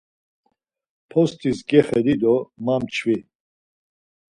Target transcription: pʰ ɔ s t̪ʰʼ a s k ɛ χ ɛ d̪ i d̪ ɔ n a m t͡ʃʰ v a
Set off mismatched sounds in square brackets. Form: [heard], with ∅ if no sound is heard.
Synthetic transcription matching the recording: pʰ ɔ s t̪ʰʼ [i] s [ɡ] ɛ χ ɛ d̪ i d̪ ɔ [m] a m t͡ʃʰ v [i]